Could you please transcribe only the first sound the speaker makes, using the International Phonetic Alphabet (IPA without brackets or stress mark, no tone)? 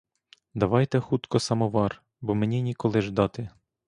d̪